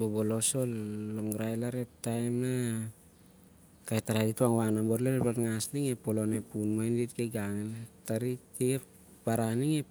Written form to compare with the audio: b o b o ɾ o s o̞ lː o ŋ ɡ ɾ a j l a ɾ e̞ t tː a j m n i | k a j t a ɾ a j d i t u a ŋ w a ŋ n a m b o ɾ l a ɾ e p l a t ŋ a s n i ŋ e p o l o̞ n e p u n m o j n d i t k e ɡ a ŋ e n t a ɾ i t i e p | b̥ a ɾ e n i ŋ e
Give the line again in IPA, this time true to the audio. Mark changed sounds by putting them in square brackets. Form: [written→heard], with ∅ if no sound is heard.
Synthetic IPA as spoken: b o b o [ɾ→l] o s o̞ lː o ŋ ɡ ɾ a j l a ɾ e̞ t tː a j m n [i→a] | k a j t a ɾ a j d i t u a ŋ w a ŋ n a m b o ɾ l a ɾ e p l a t ŋ a s n i ŋ e p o l o̞ n e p u n m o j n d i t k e ɡ a ŋ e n t a ɾ i t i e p | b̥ a ɾ [e→a] n i ŋ e